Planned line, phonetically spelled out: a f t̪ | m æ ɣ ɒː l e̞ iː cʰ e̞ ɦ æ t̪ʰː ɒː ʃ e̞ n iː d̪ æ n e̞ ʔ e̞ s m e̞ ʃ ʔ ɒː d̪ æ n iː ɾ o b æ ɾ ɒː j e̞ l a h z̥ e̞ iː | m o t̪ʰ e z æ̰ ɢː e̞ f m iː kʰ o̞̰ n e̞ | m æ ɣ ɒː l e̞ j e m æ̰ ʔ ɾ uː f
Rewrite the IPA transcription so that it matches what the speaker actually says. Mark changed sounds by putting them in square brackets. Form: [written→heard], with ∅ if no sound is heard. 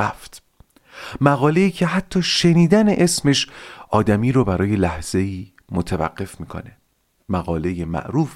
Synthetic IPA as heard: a f t̪ | m æ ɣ ɒː l e̞ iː cʰ e̞ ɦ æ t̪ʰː ɒː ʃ e̞ n iː d̪ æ n e̞ ʔ e̞ s m e̞ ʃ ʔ ɒː d̪ æ [n→m] iː ɾ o b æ ɾ ɒː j e̞ l [a→æ] h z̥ e̞ iː | m o t̪ʰ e [z→v] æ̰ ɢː e̞ f m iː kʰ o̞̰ n e̞ | m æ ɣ ɒː l e̞ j e m æ̰ ʔ ɾ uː f